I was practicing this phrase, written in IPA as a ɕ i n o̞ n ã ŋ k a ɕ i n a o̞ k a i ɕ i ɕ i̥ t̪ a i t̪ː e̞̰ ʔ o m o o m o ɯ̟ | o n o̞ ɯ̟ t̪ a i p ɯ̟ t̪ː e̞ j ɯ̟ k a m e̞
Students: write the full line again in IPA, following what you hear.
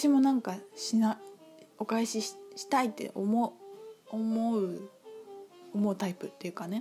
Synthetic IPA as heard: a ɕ i m o̞ n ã ŋ k a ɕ i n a o̞ k a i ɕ i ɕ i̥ t̪ a i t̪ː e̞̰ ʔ o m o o m o ɯ̟ | o m o̞ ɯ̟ t̪ a i p ɯ̟ t̪ː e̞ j ɯ̟ k a n e̞